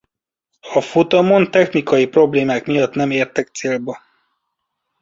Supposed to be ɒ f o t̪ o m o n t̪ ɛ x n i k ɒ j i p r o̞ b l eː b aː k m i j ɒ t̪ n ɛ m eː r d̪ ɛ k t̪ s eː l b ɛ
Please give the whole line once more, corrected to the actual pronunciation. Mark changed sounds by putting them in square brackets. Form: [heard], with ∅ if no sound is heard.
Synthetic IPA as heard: ɒ f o t̪ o m o n t̪ ɛ x n i k ɒ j i p r o̞ b l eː [m] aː k m i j ɒ t̪ n ɛ m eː r [t̪] ɛ k t̪ s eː l b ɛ